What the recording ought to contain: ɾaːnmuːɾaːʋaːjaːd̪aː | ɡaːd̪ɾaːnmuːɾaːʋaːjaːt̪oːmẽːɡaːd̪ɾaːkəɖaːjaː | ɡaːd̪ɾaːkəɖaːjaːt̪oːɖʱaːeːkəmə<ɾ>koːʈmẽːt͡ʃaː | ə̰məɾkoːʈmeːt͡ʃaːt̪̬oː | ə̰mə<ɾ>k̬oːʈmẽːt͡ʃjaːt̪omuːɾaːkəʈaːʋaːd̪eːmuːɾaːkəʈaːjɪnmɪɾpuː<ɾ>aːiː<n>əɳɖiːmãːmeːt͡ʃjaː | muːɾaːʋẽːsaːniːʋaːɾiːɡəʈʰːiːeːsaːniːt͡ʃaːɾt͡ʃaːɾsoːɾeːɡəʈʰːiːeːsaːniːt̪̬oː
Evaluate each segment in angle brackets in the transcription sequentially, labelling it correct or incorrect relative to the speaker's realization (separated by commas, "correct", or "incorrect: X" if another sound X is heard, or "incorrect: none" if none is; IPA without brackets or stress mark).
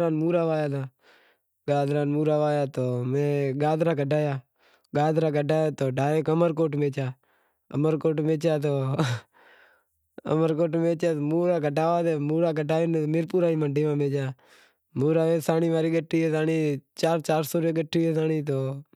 correct, correct, correct, incorrect: m